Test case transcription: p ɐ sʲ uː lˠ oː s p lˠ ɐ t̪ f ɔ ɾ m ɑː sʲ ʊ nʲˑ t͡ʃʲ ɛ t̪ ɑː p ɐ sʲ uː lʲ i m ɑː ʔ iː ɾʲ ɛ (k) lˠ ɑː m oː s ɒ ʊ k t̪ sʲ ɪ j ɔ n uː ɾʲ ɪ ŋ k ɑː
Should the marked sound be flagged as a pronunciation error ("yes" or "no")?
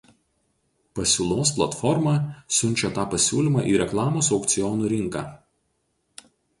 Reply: no